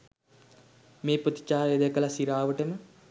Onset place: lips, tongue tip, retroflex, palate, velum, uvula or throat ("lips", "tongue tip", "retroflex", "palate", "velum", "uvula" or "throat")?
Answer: lips